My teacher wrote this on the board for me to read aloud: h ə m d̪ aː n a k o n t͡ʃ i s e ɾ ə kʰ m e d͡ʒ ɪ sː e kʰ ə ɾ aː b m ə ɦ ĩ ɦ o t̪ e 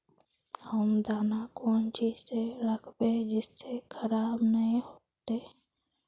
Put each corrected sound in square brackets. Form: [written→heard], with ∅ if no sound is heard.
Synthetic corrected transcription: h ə m d̪ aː n a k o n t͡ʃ i s e ɾ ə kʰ [m→b] e d͡ʒ ɪ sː e kʰ ə ɾ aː b [m→n] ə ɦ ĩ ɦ o t̪ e